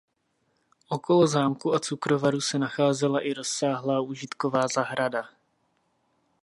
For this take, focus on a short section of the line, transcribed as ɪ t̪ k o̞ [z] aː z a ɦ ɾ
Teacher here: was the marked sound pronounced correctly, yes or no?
no